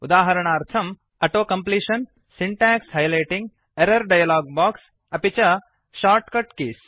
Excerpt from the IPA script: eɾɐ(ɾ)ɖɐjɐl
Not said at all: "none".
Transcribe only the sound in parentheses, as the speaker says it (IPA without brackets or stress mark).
ɾ